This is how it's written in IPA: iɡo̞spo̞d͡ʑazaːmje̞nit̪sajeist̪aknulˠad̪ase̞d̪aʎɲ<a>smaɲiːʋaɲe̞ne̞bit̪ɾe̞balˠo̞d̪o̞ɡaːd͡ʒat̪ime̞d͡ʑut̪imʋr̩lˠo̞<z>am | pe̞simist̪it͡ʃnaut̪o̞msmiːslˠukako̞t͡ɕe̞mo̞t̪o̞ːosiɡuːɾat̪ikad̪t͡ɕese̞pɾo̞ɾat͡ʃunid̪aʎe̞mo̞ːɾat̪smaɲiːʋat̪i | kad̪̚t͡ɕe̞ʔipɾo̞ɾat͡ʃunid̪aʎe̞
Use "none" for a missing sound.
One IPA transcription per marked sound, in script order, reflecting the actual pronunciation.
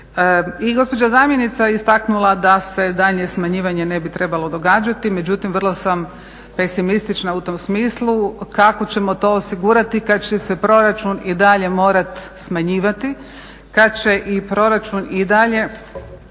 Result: e, s

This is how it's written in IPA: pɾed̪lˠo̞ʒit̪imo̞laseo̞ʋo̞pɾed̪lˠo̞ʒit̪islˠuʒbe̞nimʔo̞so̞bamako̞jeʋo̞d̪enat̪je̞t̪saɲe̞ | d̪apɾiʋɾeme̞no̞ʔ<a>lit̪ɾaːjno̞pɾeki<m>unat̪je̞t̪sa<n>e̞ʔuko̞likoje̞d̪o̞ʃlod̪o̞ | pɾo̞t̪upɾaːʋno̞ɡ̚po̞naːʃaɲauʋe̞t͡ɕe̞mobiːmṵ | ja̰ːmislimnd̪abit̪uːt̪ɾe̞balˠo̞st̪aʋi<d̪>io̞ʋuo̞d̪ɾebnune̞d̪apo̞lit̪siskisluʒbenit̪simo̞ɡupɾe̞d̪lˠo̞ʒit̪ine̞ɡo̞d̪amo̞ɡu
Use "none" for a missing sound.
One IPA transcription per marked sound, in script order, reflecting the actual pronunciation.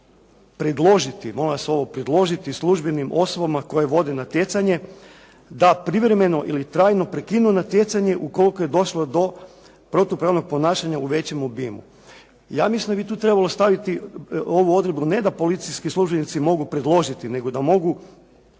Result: i, n, ɲ, t̪

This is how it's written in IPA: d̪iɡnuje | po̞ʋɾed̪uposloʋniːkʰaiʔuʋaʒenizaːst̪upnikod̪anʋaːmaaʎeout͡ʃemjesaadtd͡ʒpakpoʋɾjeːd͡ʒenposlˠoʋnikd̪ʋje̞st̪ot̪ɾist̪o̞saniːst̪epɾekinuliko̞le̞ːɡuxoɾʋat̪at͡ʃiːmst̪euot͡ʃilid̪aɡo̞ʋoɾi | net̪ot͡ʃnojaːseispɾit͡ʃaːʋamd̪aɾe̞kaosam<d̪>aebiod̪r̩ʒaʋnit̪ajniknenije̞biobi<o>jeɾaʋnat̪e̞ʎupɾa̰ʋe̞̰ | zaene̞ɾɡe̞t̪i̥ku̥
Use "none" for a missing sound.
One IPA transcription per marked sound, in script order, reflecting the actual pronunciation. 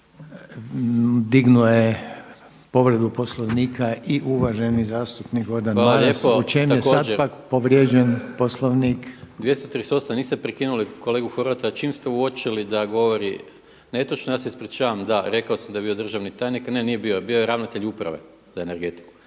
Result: d̪, o

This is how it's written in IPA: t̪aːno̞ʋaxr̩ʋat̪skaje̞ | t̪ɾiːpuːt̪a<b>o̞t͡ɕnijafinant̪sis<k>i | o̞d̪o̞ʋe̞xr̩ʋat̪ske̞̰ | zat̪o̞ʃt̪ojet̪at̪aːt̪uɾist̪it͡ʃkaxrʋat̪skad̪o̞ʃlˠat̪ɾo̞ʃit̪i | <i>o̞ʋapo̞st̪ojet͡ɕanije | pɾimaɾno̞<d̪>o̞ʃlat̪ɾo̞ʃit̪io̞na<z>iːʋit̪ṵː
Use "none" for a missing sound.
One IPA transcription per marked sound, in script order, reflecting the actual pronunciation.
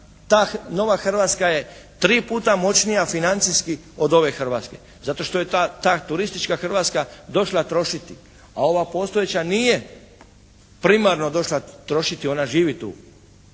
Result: m, k, a, d̪, ʒ

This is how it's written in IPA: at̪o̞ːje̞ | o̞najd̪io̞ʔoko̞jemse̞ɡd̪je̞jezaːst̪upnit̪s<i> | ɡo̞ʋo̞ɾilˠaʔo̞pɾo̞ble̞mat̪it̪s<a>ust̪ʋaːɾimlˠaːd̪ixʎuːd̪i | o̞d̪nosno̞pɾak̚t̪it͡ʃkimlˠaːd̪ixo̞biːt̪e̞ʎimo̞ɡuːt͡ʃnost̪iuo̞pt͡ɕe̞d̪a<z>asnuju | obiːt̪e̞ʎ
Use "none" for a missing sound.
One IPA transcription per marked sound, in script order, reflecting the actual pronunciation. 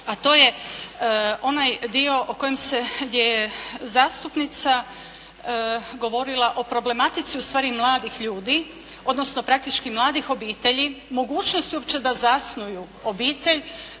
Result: a, i, z

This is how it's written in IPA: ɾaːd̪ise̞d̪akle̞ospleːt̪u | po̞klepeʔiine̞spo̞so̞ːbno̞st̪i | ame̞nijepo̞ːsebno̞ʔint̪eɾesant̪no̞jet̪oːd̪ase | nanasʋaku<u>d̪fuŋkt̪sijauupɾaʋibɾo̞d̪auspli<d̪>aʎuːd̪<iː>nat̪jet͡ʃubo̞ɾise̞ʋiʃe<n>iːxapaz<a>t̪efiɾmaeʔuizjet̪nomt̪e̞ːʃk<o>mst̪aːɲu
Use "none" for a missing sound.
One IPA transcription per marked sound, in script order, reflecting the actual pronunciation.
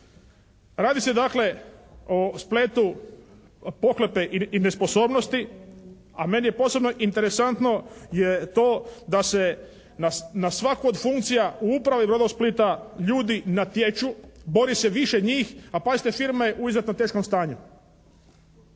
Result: o, t̪, i, ɲ, i, o

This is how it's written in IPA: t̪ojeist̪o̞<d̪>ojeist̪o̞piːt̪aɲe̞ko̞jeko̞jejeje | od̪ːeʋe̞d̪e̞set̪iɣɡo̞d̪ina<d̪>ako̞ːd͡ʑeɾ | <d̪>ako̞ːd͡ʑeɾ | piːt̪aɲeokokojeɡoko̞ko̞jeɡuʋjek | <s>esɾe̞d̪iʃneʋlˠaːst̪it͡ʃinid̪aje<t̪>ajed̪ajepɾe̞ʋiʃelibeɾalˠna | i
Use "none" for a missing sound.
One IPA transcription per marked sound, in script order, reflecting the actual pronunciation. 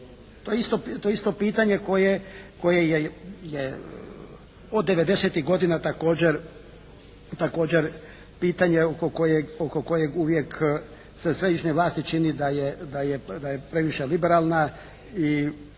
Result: t̪, t̪, t̪, s, d̪

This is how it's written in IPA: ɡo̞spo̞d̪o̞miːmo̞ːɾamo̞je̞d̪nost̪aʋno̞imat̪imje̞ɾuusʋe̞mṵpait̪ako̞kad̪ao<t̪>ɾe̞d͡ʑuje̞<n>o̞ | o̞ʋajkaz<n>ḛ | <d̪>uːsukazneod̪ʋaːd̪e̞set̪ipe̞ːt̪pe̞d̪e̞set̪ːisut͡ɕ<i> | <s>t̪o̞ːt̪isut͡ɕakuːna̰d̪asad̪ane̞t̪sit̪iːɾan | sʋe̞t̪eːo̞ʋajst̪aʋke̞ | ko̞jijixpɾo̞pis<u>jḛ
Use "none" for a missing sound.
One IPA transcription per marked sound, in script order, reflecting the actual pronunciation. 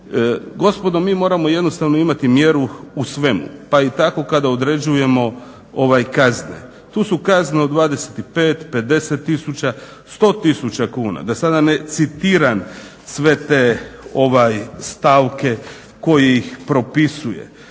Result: d̪, m, n, t̪, a, s, u

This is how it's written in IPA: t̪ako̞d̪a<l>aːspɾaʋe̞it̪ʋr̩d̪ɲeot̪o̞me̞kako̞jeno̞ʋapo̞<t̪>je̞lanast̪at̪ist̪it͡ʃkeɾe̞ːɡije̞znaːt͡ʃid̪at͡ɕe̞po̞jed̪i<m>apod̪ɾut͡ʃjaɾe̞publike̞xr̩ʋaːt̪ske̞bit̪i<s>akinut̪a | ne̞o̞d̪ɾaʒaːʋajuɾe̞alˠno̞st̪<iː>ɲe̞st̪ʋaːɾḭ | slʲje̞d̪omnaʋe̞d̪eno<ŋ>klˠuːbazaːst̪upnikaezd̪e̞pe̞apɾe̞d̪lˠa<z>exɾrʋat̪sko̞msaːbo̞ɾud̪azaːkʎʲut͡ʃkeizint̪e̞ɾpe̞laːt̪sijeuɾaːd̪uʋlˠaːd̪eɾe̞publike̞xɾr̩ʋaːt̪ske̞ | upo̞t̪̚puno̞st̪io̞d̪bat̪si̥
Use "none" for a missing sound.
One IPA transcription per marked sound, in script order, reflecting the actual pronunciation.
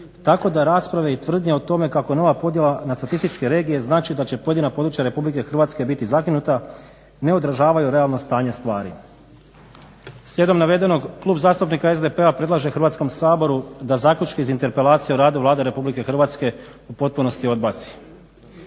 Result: ɾ, d̪, n, z, aː, ɡ, ʒ

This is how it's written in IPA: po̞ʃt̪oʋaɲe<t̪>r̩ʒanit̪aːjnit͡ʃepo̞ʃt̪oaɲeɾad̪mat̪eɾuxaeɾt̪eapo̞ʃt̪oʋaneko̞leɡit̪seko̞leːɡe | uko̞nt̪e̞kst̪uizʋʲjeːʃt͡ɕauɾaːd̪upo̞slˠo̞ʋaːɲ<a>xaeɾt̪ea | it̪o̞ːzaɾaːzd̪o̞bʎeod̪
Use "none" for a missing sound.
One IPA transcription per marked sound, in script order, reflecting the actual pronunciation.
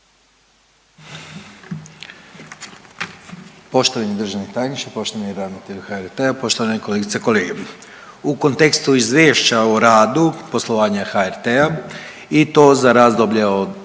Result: d̪, a

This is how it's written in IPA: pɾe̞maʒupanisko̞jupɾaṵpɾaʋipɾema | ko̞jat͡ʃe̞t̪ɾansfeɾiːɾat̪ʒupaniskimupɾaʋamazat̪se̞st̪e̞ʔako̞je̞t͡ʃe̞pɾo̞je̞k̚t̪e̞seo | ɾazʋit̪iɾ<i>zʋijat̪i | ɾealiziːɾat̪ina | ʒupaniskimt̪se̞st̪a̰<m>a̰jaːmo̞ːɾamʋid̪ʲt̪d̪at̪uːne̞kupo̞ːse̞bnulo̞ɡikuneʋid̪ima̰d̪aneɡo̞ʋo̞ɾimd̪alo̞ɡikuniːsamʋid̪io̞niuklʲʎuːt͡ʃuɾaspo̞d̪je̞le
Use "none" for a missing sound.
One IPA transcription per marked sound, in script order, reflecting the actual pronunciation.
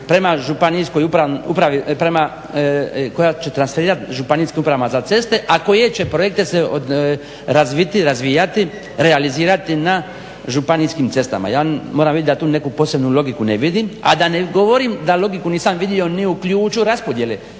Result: a, m

